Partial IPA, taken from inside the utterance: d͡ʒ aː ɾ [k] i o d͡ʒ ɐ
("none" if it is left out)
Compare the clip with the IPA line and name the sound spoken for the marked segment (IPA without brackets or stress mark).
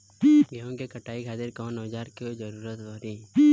k